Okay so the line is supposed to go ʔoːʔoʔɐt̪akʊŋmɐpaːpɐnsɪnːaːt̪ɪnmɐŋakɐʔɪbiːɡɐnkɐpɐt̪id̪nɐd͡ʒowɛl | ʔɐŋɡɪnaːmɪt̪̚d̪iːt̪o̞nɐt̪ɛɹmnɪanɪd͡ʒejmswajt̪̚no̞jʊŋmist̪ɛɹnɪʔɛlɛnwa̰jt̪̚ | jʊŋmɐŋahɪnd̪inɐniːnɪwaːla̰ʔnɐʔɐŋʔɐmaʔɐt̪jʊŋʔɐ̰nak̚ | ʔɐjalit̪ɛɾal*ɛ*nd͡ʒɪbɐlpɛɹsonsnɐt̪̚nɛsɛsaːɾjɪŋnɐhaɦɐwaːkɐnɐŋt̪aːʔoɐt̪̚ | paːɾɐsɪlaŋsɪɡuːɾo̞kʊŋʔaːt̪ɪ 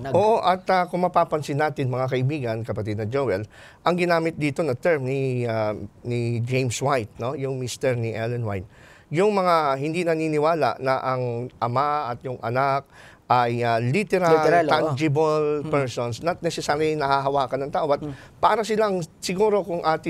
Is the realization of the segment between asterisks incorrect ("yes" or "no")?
yes